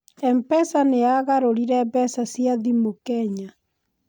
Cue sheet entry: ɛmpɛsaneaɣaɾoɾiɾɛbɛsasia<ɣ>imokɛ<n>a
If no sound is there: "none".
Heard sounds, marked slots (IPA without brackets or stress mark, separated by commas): ð, ɲ